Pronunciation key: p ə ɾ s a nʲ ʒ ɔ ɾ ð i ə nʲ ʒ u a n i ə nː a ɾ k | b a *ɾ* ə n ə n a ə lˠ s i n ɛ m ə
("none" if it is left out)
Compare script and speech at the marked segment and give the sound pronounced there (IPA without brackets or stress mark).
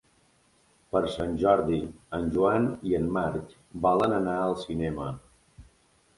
l